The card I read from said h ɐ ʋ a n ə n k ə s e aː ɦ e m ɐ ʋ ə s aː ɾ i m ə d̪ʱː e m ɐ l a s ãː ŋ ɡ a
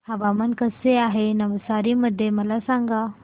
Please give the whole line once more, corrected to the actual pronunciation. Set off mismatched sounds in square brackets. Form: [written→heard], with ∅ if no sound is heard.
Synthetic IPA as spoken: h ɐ ʋ a [n→m] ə n k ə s e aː ɦ e [m→n] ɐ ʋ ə s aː ɾ i m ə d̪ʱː e m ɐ l a s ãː ŋ ɡ a